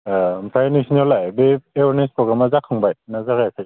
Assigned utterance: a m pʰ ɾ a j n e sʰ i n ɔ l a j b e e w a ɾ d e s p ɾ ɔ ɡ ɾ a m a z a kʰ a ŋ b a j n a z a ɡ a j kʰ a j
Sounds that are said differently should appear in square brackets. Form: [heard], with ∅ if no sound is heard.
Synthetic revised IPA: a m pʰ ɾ a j n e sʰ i n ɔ l a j b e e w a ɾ [n] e s p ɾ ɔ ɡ ɾ a m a z a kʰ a ŋ b a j n a z a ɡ a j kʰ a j